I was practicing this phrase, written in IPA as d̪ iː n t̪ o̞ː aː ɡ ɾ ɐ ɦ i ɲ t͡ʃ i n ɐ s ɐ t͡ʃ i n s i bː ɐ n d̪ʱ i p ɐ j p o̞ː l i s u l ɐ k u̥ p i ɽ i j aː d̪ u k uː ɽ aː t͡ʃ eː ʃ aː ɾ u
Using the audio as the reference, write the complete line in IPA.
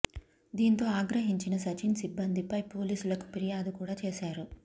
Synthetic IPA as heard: d̪ iː n t̪ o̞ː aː ɡ ɾ ɐ ɦ i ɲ t͡ʃ i n ɐ s ɐ t͡ʃ i n s i bː ɐ n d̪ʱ i p ɐ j p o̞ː l iː s u l ɐ k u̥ p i ɾ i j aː d̪ u k uː ɽ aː t͡ʃ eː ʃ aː ɾ u